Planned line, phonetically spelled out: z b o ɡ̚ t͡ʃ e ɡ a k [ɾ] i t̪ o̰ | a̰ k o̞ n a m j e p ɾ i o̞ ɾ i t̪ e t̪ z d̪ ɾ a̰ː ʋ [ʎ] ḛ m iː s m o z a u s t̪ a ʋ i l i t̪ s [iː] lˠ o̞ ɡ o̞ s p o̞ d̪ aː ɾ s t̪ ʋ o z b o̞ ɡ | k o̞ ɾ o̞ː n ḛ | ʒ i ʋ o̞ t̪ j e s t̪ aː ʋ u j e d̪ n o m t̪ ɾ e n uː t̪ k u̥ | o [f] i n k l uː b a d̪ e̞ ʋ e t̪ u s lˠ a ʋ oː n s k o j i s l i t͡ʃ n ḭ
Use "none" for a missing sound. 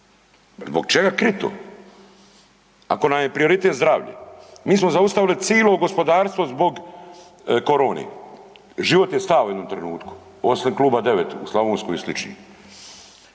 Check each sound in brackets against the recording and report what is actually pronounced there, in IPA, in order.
ɾ, ʎ, iː, s

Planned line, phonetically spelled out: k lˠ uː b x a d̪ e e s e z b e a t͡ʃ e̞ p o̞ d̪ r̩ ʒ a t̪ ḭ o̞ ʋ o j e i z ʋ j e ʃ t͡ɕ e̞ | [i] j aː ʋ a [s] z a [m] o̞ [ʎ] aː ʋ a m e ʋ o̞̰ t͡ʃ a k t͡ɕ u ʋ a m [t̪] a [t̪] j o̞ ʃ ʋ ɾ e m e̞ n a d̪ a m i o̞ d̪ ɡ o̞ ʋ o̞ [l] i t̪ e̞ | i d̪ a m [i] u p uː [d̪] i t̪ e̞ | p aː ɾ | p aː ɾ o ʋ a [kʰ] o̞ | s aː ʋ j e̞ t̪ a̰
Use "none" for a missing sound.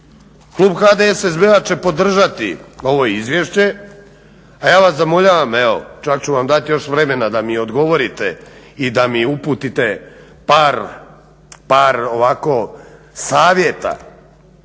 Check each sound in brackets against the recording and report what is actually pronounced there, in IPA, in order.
a, s, m, ʎ, d̪, t̪, ɾ, i, t̪, k

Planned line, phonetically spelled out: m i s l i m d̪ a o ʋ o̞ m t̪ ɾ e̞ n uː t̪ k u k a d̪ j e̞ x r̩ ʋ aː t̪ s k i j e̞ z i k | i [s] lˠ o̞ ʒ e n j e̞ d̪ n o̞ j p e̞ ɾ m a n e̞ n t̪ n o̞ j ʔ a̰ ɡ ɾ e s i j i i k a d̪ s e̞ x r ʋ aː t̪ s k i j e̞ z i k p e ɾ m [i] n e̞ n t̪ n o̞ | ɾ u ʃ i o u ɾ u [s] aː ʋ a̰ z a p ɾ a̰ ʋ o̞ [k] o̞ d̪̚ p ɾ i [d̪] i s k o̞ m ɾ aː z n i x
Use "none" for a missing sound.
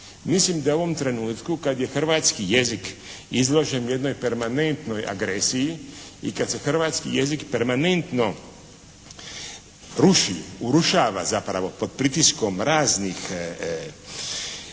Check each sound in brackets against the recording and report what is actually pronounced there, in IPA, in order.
z, a, ʃ, p, t̪

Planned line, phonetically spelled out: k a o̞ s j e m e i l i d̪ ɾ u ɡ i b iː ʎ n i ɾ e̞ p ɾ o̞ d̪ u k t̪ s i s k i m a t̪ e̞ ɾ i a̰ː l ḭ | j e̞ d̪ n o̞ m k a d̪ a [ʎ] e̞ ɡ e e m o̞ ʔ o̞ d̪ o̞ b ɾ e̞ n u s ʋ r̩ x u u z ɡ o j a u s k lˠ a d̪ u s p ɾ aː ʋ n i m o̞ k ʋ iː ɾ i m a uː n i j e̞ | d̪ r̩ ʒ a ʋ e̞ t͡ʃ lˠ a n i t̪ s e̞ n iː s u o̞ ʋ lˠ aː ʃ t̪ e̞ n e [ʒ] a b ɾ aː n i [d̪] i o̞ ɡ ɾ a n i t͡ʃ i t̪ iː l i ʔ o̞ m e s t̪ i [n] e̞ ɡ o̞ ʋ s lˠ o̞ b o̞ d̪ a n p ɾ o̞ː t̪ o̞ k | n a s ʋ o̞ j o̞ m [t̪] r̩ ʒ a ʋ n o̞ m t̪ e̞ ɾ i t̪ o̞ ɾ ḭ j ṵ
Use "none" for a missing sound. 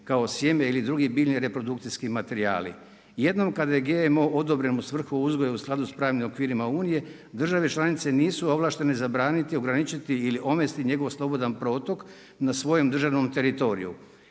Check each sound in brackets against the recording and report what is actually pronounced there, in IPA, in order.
j, z, t̪, ɲ, d̪

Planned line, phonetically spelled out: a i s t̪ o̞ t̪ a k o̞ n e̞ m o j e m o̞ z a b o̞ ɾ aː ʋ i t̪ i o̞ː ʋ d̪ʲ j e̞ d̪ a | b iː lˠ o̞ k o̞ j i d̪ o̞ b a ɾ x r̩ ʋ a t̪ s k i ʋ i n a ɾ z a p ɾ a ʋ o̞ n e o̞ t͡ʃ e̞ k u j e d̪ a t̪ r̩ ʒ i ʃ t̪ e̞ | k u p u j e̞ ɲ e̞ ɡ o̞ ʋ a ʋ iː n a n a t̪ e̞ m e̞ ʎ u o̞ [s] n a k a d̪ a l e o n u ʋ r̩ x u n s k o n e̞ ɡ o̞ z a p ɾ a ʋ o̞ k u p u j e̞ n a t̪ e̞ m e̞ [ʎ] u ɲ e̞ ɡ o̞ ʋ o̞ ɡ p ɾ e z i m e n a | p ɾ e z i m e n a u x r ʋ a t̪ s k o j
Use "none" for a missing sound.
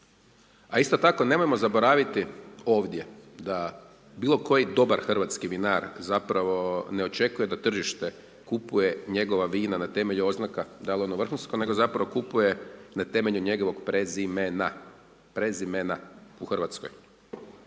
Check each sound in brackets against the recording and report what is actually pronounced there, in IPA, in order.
z, ʎ

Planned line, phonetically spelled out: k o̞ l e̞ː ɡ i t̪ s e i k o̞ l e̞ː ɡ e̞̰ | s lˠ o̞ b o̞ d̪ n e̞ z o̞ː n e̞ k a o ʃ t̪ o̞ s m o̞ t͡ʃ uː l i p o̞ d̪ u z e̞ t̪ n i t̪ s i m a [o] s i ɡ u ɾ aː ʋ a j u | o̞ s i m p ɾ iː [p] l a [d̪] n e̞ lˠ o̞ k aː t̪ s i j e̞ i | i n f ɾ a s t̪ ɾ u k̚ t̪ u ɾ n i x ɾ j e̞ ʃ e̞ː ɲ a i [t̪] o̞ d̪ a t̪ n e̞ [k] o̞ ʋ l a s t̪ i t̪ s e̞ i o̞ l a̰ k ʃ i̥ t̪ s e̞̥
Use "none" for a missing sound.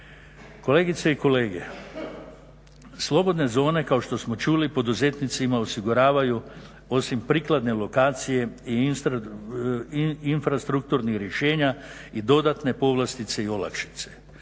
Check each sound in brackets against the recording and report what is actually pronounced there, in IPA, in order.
o, k, d̪, d̪, p

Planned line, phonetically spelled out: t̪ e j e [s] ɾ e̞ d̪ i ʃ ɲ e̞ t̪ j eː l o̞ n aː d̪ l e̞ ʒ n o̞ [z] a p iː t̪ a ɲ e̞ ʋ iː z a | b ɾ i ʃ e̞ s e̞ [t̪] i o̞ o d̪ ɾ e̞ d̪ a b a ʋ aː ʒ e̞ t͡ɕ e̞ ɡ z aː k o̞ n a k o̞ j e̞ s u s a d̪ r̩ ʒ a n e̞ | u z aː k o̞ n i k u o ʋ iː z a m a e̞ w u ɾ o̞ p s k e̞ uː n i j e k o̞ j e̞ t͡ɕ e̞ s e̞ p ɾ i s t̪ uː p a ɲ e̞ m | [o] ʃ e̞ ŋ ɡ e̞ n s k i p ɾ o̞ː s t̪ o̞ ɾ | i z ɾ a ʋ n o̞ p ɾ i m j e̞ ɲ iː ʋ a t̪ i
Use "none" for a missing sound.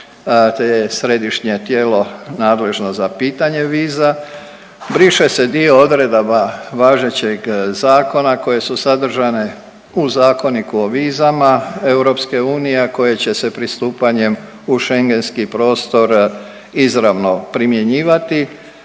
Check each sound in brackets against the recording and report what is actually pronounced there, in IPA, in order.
s, z, d̪, u

